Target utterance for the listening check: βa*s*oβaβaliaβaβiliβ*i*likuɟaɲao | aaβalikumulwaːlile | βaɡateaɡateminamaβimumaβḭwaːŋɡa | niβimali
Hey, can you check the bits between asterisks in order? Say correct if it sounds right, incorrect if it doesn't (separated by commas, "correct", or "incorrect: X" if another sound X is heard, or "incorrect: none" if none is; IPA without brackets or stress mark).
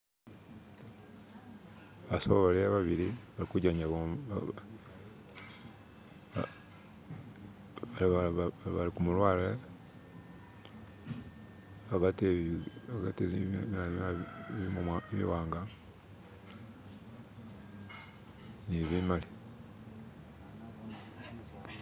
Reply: correct, incorrect: a